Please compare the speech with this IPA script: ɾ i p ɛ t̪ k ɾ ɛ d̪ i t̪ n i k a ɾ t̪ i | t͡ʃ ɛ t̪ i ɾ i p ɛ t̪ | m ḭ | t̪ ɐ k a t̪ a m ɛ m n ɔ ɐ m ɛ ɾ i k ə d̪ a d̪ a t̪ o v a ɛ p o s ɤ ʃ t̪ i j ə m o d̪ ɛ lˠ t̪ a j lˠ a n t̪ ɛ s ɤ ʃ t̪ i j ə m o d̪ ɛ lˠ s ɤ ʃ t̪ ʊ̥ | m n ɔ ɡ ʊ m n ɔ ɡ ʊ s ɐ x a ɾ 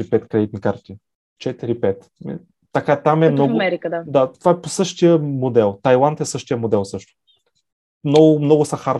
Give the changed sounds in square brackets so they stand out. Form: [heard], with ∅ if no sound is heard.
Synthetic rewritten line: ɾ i p ɛ t̪ k ɾ ɛ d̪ i t̪ n i k a ɾ t̪ i | t͡ʃ ɛ t̪ i ɾ i p ɛ t̪ | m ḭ | t̪ ɐ k a t̪ a m ɛ m n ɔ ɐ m ɛ ɾ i k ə d̪ a d̪ a t̪ o v a ɛ p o s ɤ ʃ t̪ i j ə m o d̪ ɛ lˠ t̪ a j lˠ a n t̪ ɛ s ɤ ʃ t̪ i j ə m o d̪ ɛ lˠ s ɤ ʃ t̪ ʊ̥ | m n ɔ ɡ ʊ m n ɔ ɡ ʊ s ɐ x a ɾ